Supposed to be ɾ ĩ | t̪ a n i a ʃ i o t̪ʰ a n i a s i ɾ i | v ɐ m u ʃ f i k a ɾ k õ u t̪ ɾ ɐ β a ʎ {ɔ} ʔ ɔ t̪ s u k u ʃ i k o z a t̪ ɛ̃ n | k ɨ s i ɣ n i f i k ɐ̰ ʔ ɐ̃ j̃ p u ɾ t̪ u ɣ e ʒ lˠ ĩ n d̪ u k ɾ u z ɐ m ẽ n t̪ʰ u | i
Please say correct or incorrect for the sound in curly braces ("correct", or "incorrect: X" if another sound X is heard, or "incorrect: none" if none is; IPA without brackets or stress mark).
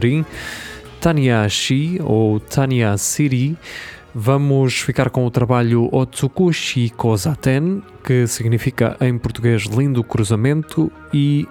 incorrect: u